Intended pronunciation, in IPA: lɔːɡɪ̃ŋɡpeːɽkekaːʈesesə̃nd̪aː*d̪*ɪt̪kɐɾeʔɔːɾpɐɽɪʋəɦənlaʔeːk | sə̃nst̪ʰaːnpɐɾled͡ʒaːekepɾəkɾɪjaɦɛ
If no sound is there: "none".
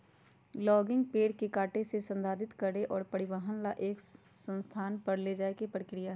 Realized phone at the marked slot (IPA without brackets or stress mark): d̪